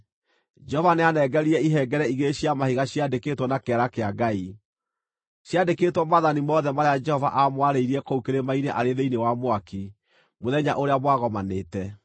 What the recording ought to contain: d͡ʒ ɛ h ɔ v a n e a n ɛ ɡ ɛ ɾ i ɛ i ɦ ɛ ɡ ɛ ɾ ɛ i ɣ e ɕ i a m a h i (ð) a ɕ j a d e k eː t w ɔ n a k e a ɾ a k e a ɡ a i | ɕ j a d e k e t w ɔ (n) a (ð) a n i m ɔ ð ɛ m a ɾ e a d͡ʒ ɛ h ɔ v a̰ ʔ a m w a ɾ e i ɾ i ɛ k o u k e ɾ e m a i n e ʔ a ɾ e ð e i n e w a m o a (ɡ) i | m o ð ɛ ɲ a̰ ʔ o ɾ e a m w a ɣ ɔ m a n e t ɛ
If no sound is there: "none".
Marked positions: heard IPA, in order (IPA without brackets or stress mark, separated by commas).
ɣ, m, ð, k